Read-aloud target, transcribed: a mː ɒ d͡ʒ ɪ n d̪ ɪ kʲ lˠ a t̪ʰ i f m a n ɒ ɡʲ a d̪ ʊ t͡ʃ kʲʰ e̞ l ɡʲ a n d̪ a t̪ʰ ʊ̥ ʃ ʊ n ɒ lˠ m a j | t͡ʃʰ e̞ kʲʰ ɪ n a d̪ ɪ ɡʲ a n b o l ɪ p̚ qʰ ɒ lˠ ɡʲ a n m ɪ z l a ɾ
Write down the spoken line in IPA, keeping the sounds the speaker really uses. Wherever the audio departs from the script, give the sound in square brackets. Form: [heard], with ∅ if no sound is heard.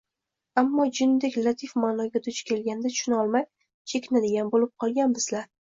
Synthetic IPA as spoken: a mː ɒ d͡ʒ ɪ n d̪ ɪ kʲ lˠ a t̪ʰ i f m a n ɒ ɡʲ a d̪ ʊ t͡ʃ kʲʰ e̞ l ɡʲ a n d̪ a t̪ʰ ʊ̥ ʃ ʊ n ɒ lˠ m a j | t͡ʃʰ e̞ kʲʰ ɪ n a d̪ ɪ ɡʲ a n b o l ɪ p̚ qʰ ɒ lˠ ɡʲ a n [b] ɪ z l a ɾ

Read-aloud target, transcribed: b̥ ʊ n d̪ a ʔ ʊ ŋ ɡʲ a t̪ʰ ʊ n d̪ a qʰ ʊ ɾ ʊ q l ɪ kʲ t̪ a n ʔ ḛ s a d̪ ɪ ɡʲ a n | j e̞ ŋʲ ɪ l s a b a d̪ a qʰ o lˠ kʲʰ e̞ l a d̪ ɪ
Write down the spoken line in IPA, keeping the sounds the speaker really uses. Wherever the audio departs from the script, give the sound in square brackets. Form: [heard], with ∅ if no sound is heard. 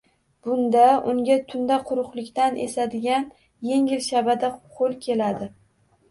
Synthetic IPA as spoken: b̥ ʊ n d̪ a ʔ ʊ ŋ ɡʲ a t̪ʰ ʊ n d̪ a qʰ ʊ ɾ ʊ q l ɪ kʲ t̪ a n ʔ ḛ s a d̪ ɪ ɡʲ a n | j e̞ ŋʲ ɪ l [ʃ] a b a d̪ a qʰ o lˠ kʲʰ e̞ l a d̪ ɪ

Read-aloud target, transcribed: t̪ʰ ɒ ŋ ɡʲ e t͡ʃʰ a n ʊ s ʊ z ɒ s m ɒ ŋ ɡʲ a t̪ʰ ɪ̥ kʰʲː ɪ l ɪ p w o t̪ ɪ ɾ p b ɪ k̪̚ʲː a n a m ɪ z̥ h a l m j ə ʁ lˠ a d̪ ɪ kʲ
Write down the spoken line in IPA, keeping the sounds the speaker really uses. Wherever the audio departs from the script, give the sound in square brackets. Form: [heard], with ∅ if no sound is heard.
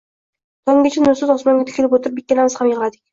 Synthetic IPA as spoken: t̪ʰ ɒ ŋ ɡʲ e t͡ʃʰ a n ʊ s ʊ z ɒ s m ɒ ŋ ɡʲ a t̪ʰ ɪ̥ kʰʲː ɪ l ɪ p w o t̪ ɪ ɾ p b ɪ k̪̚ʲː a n a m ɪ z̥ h a [∅] m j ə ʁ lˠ a d̪ ɪ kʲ

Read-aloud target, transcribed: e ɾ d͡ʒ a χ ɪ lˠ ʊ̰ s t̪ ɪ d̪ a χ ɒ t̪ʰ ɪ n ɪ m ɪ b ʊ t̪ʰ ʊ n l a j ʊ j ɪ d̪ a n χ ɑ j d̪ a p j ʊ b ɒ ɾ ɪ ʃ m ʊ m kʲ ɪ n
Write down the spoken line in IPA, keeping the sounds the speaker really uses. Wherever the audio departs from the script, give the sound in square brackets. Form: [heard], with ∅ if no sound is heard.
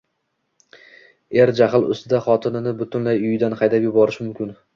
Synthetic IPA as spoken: e ɾ d͡ʒ a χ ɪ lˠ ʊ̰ s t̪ ɪ d̪ a χ ɒ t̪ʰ ɪ n ɪ [n] ɪ b ʊ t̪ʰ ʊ n l a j ʊ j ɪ d̪ a n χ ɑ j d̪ a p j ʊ b ɒ ɾ ɪ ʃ m ʊ m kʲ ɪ n

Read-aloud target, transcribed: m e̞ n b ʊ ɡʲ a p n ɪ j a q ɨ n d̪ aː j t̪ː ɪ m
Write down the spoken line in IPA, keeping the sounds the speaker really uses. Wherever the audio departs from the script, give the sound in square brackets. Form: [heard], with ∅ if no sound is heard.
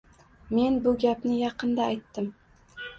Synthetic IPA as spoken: m e̞ n b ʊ ɡʲ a p n ɪ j [ɑ] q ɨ n d̪ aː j t̪ː ɪ m

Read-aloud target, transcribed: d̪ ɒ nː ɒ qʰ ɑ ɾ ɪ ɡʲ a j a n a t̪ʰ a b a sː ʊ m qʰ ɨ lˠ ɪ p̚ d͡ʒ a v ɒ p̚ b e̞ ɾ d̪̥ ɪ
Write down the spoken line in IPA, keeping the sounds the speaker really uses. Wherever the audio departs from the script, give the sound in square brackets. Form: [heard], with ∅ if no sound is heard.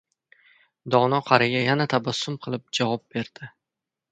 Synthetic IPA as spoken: d̪ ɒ [n] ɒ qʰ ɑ ɾ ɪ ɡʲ a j a n a t̪ʰ a b a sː ʊ m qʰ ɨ lˠ ɪ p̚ d͡ʒ a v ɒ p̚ b e̞ ɾ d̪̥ ɪ

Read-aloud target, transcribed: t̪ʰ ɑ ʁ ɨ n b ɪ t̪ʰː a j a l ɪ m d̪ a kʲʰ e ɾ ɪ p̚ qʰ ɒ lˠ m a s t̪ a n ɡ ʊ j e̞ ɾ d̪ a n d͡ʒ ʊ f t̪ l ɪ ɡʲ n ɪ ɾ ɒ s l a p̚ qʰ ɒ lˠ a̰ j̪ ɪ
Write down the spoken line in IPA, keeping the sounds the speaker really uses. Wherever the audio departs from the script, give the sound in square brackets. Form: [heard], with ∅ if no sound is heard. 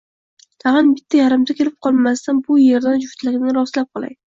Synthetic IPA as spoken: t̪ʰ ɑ ʁ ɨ n b ɪ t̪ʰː a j a [ɾ] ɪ m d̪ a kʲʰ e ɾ ɪ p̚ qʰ ɒ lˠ m a s t̪ a n [b] ʊ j e̞ ɾ d̪ a n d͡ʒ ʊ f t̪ l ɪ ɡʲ n ɪ ɾ ɒ s l a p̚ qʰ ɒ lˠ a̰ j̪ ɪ

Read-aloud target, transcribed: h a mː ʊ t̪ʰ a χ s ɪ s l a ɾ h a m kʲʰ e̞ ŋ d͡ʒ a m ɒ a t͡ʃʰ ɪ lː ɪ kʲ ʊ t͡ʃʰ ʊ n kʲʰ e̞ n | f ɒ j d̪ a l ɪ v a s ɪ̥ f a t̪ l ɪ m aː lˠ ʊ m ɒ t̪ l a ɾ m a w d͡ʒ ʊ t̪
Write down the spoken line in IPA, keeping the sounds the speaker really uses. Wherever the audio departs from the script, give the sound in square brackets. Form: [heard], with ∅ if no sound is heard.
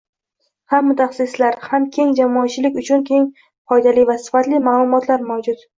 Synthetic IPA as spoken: h a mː ʊ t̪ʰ a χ s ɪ s l a ɾ h a m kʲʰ e̞ ŋ d͡ʒ a m ɒ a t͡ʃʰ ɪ [l] ɪ kʲ ʊ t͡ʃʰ ʊ n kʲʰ e̞ [ŋ] | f ɒ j d̪ a l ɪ v a s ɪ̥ f a t̪ l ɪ m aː lˠ ʊ m ɒ t̪ l a ɾ m a w d͡ʒ ʊ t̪

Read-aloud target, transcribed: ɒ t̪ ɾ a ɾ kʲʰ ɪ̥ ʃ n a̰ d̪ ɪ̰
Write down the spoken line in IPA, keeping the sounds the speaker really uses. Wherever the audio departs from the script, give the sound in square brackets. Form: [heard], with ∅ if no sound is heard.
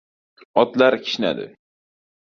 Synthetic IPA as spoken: ɒ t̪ [l] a ɾ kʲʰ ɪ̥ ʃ n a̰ d̪ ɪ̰

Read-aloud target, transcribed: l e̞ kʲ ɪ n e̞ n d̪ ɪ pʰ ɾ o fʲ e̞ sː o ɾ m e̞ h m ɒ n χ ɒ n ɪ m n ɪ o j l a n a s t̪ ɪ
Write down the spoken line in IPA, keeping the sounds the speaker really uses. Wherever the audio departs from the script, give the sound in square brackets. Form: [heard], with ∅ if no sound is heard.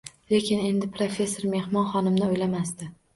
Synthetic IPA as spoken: l e̞ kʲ ɪ n e̞ n d̪ ɪ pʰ ɾ o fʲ e̞ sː o ɾ m e̞ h m ɒ n χ ɒ n ɪ m n ɪ o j l a [m] a s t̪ ɪ

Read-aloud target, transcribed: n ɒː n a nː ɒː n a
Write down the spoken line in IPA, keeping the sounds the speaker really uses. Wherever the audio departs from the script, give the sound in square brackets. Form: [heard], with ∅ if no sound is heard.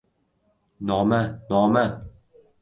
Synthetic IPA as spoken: n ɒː [m] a [n] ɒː [m] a

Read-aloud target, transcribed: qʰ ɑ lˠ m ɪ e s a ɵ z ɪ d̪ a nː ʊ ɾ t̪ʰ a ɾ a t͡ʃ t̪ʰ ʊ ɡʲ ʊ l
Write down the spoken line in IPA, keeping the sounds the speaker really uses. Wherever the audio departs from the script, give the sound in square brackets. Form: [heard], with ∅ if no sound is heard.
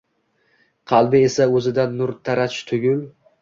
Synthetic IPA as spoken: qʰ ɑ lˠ [b] ɪ e s a ɵ z ɪ d̪ a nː ʊ ɾ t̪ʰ a ɾ a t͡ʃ t̪ʰ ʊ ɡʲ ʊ l

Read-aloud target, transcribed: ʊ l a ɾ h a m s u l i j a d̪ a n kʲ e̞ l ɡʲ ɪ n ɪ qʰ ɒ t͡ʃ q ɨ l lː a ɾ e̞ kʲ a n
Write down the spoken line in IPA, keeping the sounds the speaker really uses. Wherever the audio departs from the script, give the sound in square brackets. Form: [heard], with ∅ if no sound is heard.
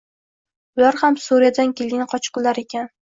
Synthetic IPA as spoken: ʊ l a ɾ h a m s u [ɾ] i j a d̪ a n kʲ e̞ l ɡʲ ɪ n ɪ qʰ ɒ t͡ʃ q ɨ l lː a ɾ e̞ kʲ a n

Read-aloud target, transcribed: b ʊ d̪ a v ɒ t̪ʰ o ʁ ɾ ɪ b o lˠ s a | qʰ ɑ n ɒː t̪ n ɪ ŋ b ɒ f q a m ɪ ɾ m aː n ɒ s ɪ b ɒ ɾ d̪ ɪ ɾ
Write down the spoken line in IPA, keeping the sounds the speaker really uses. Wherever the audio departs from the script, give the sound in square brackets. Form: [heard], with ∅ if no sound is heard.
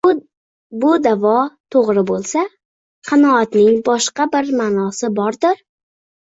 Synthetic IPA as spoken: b ʊ d̪ a v ɒ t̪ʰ o ʁ ɾ ɪ b o lˠ s a | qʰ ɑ n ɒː t̪ n ɪ ŋ b ɒ [ʃ] q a [b] ɪ ɾ m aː n ɒ s ɪ b ɒ ɾ d̪ ɪ ɾ

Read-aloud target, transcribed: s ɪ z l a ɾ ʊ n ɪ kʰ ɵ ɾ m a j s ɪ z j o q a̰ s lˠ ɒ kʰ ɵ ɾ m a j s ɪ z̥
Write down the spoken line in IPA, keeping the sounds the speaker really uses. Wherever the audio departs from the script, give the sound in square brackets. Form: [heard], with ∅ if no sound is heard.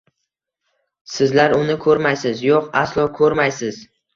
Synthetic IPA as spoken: s ɪ z l a ɾ ʊ n ɪ kʰ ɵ ɾ m a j s ɪ z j o q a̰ s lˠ ɒ kʰ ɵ ɾ m a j s ɪ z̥

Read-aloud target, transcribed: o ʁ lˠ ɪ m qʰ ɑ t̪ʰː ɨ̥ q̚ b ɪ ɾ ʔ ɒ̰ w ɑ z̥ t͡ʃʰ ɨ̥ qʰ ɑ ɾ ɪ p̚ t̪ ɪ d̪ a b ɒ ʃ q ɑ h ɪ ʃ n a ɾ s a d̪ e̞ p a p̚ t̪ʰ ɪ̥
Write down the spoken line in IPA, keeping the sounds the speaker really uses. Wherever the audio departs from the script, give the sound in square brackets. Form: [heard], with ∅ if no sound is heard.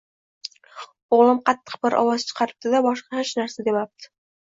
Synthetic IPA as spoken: o ʁ lˠ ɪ m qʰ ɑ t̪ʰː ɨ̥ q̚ b ɪ ɾ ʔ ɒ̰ w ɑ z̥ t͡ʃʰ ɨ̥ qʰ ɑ ɾ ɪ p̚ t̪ ɪ d̪ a b ɒ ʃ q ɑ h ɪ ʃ n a ɾ s a d̪ e̞ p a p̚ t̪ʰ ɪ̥

